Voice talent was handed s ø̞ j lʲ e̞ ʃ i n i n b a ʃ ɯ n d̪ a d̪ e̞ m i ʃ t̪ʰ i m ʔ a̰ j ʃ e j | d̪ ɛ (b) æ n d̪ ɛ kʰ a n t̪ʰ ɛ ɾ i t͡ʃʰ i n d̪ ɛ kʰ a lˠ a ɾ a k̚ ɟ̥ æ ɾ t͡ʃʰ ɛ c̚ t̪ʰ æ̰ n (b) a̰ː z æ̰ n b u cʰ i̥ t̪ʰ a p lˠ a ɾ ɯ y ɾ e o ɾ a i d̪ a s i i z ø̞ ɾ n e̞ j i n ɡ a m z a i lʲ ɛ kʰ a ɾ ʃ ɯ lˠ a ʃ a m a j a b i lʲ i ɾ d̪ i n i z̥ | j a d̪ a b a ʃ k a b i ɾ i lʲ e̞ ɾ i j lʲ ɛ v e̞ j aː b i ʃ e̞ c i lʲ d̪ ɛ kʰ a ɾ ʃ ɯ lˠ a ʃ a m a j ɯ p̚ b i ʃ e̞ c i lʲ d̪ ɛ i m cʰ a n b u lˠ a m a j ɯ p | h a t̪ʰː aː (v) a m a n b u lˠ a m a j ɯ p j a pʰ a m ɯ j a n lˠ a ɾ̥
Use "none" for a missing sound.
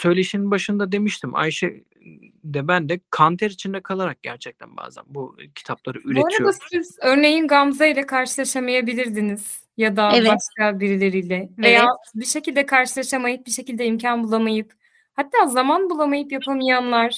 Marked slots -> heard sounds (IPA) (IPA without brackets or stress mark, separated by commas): b, b, z